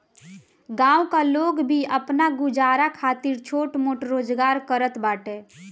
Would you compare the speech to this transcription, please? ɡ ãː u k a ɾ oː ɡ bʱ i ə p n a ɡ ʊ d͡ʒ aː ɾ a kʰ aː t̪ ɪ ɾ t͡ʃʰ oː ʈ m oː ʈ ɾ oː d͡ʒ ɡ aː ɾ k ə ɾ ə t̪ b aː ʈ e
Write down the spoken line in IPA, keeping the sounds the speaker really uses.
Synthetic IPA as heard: ɡ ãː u k a l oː ɡ bʱ i ə p n a ɡ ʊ d͡ʒ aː ɾ a kʰ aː t̪ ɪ ɾ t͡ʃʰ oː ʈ m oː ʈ ɾ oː d͡ʒ ɡ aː ɾ k ə ɾ ə t̪ b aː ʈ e